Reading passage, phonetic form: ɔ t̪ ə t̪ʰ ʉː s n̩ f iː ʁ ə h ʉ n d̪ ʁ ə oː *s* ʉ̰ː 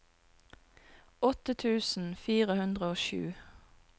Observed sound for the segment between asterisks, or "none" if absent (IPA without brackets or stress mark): ʃ